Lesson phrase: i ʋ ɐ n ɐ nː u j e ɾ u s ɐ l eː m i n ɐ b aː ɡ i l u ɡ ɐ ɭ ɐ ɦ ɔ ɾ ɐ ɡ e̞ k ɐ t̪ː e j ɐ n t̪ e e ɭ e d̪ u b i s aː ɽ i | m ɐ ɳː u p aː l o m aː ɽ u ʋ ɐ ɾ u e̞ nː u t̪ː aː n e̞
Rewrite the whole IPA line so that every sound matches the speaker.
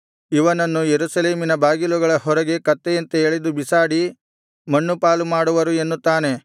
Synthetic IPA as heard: i ʋ ɐ n ɐ nː u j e ɾ u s ɐ l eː m i n ɐ b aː ɡ i l u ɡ ɐ ɭ ɐ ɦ ɔ ɾ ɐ ɡ e̞ k ɐ t̪ː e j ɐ n t̪ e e ɭ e d̪ u b i s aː ɽ i | m ɐ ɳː u p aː l u m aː ɽ u ʋ ɐ ɾ u e̞ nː u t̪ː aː n e̞